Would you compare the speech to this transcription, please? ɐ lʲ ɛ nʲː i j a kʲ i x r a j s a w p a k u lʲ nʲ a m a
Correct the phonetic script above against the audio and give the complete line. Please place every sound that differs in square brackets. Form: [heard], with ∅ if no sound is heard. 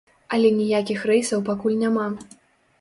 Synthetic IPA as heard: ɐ lʲ ɛ [nʲ] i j a kʲ i x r [ɛ] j s [ɐ] w p a k u lʲ nʲ a m a